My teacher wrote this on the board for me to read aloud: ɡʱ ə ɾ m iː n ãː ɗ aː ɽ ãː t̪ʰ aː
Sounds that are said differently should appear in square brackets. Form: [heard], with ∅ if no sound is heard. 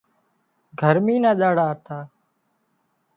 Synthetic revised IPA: ɡʱ ə ɾ m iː n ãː ɗ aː ɽ [aː] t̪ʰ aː